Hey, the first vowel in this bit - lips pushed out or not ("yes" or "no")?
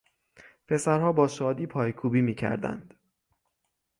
no